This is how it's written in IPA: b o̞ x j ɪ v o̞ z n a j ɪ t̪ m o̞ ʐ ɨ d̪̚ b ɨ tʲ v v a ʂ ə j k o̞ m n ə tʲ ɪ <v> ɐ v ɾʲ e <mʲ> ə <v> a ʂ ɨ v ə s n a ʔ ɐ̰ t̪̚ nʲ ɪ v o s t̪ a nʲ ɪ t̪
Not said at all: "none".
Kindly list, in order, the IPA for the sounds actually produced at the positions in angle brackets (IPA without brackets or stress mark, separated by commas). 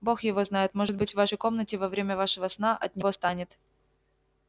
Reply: v, mʲ, v